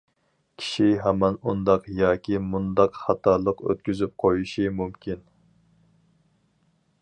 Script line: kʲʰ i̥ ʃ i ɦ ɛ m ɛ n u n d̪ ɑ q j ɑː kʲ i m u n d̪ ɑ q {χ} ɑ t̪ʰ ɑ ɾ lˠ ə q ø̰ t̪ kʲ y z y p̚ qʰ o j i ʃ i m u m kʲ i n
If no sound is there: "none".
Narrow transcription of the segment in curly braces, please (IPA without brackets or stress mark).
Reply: χ